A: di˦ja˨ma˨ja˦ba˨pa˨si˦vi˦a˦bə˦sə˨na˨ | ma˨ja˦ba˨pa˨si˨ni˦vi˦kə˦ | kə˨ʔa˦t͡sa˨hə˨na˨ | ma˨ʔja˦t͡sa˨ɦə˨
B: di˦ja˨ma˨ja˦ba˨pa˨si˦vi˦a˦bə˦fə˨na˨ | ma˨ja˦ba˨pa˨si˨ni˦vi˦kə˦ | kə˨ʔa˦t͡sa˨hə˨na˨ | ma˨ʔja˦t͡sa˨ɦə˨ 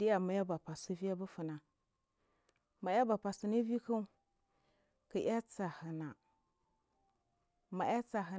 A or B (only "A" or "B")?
B